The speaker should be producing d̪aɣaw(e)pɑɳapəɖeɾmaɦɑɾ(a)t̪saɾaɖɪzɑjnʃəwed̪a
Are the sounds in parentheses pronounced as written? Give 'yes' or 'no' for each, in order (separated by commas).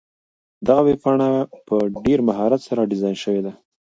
yes, yes